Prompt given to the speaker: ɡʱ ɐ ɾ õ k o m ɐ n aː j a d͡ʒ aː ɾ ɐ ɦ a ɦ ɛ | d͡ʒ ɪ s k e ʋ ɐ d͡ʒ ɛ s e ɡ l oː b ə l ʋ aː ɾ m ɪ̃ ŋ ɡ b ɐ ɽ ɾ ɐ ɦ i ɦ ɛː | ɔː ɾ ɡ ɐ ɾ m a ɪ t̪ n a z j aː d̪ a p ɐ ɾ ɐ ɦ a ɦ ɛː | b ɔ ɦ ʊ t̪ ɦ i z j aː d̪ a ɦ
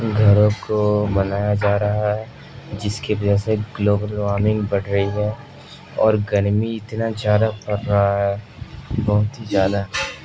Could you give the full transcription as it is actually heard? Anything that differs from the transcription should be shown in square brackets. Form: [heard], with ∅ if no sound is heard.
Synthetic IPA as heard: ɡʱ ɐ ɾ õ k o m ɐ n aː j a d͡ʒ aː ɾ ɐ ɦ a ɦ ɛ | d͡ʒ ɪ s k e ʋ ɐ d͡ʒ ɛ s e ɡ l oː b ə l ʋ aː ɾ m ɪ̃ ŋ ɡ b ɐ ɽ ɾ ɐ ɦ i ɦ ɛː | ɔː ɾ ɡ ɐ ɾ m [i] ɪ t̪ n a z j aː d̪ a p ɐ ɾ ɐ ɦ a ɦ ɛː | b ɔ ɦ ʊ t̪ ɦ i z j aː d̪ a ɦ

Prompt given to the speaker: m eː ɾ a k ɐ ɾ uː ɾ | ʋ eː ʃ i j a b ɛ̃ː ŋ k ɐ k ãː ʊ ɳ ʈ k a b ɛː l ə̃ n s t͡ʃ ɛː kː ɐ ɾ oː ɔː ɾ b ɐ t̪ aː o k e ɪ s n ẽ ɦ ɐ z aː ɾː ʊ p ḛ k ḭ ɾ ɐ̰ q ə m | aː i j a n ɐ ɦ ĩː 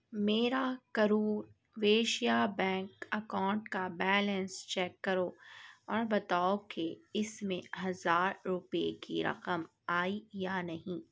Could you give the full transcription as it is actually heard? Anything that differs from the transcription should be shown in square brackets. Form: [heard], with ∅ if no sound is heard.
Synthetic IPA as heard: m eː ɾ a k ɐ ɾ uː ɾ | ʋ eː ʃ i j a b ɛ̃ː ŋ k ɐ k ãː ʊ ɳ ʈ k a b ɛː l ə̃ n s t͡ʃ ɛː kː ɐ ɾ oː ɔː ɾ b ɐ t̪ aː o k e ɪ s [m] ẽ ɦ ɐ z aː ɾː ʊ p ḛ k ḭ ɾ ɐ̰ q ə m | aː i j a n ɐ ɦ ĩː

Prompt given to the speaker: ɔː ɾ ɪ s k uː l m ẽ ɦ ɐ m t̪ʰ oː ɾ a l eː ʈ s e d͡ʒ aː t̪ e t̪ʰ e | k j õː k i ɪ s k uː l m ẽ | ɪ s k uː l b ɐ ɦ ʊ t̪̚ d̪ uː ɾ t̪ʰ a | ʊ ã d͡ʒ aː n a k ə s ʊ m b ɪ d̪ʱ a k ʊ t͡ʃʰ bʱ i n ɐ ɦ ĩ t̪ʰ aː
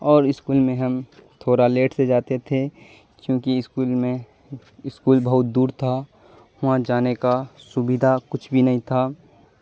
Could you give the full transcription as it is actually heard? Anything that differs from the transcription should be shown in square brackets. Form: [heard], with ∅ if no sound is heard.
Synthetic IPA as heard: ɔː ɾ ɪ s k uː l m ẽ ɦ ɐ m t̪ʰ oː ɾ a l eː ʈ s e d͡ʒ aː t̪ e t̪ʰ e | k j õː k i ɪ s k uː l m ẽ | ɪ s k uː l b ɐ ɦ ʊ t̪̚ d̪ uː ɾ t̪ʰ a | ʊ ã d͡ʒ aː n [e] k [a] s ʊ [∅] b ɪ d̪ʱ a k ʊ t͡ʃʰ bʱ i n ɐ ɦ ĩ t̪ʰ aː

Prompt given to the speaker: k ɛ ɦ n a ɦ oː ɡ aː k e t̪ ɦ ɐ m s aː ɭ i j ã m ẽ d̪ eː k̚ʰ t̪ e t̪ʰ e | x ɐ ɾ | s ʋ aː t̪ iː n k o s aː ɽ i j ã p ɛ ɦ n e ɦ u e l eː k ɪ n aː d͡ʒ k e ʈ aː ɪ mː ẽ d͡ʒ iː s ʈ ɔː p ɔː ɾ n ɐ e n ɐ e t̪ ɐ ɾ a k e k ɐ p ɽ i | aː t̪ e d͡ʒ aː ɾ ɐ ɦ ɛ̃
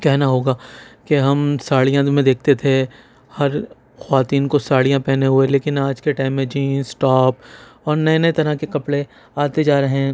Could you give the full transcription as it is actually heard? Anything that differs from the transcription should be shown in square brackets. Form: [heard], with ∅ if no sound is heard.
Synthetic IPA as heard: k ɛ ɦ n a ɦ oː ɡ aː k e [∅] ɦ ɐ m s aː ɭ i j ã m ẽ d̪ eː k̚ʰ t̪ e t̪ʰ e | [h] ɐ ɾ | [x] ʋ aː t̪ iː n k o s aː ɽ i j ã p ɛ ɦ n e ɦ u e l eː k ɪ n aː d͡ʒ k e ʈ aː ɪ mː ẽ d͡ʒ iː s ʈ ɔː p ɔː ɾ n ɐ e n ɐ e t̪ ɐ ɾ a k e k ɐ p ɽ [e] | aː t̪ e d͡ʒ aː ɾ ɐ ɦ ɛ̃

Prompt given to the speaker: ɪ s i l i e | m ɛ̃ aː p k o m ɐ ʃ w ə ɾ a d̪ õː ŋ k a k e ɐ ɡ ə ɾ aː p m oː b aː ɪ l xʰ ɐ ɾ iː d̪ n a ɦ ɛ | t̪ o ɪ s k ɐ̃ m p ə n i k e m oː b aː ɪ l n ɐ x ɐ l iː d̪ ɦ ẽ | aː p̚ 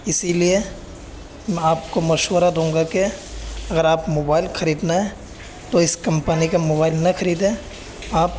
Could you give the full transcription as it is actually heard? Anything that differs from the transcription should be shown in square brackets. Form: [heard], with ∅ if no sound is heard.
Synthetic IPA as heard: ɪ s i l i e | m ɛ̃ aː p k o m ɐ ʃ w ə ɾ a d̪ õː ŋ [ɡ] a k e ɐ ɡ ə ɾ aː p m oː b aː ɪ l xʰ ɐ ɾ iː d̪ n a ɦ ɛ | t̪ o ɪ s k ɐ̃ m p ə n i k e m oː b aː ɪ l n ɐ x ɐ [ɾ] iː d̪ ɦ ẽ | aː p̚

